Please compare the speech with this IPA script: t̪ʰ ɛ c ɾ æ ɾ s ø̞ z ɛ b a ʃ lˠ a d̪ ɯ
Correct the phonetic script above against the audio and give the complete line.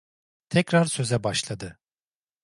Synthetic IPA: t̪ʰ ɛ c ɾ a ɾ s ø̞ z ɛ b a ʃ lˠ a d̪ ɯ